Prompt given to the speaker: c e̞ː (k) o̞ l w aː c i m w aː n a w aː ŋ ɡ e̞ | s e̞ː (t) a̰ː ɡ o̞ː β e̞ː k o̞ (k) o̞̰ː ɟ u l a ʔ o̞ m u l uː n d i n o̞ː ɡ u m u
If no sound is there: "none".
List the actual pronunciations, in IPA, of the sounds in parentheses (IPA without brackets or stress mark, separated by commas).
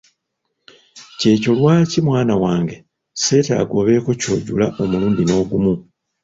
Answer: c, t, c